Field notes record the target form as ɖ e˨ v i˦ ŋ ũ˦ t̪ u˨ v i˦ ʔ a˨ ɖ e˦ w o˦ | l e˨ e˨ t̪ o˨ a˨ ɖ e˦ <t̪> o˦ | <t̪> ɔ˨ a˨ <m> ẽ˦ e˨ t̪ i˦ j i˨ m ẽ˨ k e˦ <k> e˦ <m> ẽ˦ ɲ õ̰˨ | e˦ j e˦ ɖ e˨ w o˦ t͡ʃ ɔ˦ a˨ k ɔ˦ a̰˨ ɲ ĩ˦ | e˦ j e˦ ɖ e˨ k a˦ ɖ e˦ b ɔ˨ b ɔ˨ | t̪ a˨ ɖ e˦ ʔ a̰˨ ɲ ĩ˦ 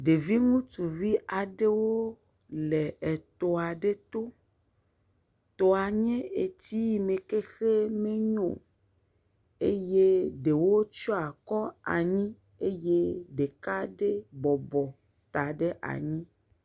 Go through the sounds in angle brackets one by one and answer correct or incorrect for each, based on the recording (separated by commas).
correct, correct, incorrect, incorrect, correct